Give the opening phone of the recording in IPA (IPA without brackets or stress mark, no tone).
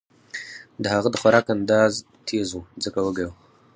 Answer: d